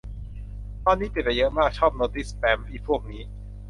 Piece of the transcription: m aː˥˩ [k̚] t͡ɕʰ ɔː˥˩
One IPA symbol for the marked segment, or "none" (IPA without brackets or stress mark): k̚